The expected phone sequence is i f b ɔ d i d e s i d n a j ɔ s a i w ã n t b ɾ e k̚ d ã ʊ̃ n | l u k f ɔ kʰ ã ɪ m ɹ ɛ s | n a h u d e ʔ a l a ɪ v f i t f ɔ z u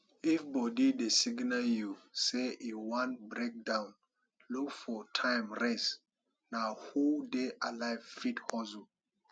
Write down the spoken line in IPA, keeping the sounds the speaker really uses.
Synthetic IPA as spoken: i f b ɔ d i d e s i ɡ n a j u s e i w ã n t b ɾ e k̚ d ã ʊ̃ n | l u k f ɔ tʰ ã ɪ m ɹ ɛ s | n a h u d e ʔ a l a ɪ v f i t h ɔ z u